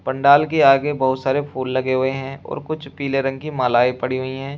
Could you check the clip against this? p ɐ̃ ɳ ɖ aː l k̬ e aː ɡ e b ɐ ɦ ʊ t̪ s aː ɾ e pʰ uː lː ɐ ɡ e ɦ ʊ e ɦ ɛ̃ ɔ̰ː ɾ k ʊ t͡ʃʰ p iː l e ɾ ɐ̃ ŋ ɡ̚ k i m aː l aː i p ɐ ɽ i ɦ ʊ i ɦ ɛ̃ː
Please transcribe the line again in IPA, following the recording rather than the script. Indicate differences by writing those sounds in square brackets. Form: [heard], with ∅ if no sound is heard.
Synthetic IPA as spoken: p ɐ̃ ɳ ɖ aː l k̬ e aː ɡ e b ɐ ɦ ʊ t̪ s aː ɾ e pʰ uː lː ɐ ɡ e ɦ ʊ e ɦ ɛ̃ ɔ̰ː ɾ k ʊ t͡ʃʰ p iː l e ɾ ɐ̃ ŋ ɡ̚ k i m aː l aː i p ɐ ɽ i ɦ ʊ i ɦ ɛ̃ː